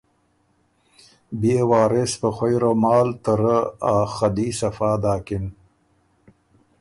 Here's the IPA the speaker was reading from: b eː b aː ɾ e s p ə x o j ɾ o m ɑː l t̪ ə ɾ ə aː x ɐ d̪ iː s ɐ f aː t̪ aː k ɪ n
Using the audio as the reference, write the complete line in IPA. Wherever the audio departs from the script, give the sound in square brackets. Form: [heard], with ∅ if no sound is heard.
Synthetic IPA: b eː [w] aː ɾ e s p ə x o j ɾ o m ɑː l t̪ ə ɾ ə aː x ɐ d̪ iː s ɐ f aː [d̪] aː k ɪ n

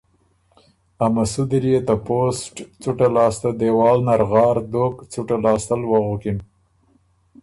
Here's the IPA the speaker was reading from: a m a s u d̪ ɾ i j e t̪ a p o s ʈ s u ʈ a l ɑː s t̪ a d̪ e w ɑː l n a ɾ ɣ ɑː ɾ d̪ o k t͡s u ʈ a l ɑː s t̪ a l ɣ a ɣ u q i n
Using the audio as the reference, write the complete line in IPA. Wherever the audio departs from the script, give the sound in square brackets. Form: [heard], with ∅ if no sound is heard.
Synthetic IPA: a m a s u d̪ ɾ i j e t̪ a p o s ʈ [t͡s] u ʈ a l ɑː s t̪ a d̪ e w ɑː l n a ɾ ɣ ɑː ɾ d̪ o k t͡s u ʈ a l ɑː s t̪ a l [w] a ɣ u [k] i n

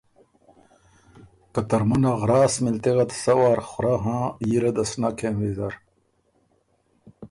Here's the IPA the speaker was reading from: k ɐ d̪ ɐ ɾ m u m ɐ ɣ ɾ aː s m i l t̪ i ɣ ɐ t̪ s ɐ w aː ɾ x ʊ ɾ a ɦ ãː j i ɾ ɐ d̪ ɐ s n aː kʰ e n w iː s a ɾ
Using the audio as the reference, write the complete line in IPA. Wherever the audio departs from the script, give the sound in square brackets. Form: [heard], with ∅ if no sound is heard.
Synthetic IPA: k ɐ [t̪] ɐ ɾ m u [n] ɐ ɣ ɾ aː s m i l t̪ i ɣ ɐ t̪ s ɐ w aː ɾ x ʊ ɾ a ɦ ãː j i ɾ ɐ d̪ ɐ s n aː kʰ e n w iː [z] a ɾ

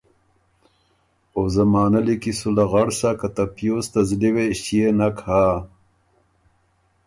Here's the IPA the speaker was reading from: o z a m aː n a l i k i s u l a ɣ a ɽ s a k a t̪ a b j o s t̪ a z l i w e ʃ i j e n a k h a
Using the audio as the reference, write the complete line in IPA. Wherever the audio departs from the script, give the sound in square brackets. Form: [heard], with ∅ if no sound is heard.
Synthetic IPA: o z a m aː n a l i k i s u l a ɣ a ɽ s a k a t̪ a [p] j o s t̪ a z l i w e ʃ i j e n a k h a

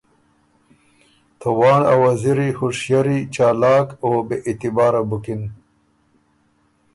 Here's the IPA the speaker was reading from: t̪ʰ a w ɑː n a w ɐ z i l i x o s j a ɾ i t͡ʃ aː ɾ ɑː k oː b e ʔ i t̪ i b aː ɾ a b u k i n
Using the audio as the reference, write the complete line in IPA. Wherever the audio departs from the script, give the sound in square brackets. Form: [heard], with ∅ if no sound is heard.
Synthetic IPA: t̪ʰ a w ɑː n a w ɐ z i [ɾ] i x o [ʂ] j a ɾ i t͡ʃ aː [l] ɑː k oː b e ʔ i t̪ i b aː ɾ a b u k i n

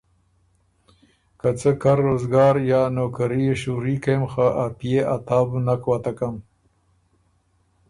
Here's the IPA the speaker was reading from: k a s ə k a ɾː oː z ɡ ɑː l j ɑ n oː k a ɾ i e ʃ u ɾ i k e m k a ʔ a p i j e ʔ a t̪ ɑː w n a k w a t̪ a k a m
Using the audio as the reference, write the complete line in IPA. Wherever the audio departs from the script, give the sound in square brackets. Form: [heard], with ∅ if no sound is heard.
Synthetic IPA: k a [t͡s] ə k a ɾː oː z ɡ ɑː [ɾ] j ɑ n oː k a ɾ i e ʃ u ɾ i k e m [x] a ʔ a p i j e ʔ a t̪ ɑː [b] n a k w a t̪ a k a m

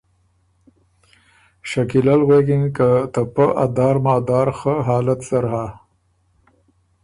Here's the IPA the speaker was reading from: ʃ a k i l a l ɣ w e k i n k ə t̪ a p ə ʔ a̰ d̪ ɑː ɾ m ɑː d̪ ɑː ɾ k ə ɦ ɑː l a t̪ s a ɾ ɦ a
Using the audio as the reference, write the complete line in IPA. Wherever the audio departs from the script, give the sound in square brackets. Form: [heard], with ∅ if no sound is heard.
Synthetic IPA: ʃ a k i l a l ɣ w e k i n k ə t̪ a p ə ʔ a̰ d̪ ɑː ɾ m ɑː d̪ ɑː ɾ [x] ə ɦ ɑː l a t̪ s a ɾ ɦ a

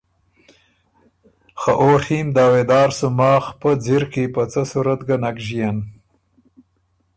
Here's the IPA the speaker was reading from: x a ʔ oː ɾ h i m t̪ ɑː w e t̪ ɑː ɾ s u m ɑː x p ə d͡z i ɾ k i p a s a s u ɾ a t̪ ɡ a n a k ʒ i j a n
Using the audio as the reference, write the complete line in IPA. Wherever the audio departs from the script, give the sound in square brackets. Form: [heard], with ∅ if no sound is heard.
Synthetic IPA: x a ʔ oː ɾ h i m [d̪] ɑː w e [d̪] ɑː ɾ s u m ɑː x p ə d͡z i ɾ k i p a [t͡s] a s u ɾ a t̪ ɡ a n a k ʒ i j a n

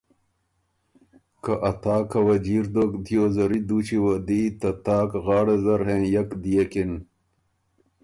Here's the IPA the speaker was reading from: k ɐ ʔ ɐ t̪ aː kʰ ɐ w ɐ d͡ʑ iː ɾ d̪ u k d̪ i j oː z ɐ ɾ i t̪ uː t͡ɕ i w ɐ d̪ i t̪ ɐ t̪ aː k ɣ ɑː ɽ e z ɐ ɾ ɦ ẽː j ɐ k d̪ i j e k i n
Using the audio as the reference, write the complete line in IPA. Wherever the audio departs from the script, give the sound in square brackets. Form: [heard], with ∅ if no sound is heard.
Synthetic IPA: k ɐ ʔ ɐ t̪ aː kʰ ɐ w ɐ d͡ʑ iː ɾ d̪ [o] k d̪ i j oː z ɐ ɾ i [d̪] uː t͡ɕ i w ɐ d̪ i t̪ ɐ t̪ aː k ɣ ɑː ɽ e z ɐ ɾ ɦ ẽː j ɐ k d̪ i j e k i n

